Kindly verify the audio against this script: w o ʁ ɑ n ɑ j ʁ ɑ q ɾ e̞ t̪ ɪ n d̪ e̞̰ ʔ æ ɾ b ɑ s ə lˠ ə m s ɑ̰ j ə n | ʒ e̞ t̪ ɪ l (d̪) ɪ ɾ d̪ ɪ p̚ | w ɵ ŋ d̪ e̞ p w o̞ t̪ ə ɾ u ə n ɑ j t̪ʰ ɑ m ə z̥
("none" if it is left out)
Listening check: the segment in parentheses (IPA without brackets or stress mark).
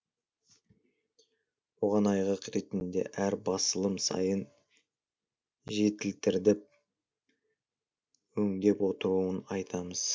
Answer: t̪